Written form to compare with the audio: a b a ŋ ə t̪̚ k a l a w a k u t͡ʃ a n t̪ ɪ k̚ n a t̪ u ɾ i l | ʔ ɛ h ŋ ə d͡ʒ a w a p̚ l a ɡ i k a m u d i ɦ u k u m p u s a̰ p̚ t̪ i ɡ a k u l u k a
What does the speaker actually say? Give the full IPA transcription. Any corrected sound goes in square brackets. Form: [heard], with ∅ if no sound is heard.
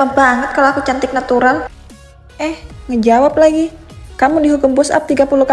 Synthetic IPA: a b a ŋ ə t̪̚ k a l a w a k u t͡ʃ a n t̪ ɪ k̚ n a t̪ u ɾ [a] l | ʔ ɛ h ŋ ə d͡ʒ a w a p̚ l a ɡ i k a m u d i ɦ u k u m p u s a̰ p̚ t̪ i ɡ a [p] u l u k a